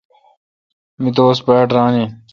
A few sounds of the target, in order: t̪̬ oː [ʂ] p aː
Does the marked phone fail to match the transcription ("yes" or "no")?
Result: yes